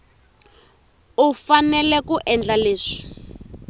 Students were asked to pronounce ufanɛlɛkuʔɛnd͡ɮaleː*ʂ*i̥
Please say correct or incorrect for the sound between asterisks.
correct